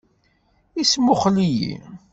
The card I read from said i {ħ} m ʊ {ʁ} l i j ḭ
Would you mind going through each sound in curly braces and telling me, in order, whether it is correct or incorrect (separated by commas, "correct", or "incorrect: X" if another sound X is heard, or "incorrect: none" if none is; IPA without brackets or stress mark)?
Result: incorrect: s, incorrect: χ